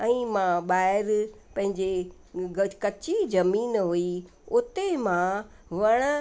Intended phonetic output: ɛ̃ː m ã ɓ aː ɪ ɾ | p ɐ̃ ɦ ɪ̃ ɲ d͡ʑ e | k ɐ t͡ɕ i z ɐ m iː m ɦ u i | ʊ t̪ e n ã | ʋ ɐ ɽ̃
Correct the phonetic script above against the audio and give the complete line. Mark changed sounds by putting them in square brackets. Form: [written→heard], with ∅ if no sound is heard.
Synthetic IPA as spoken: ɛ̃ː m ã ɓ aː ɪ ɾ | p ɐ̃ ɦ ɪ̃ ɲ d͡ʑ e | k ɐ t͡ɕ i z ɐ m iː [m→n] ɦ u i | ʊ t̪ e [n→m] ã | ʋ ɐ ɽ̃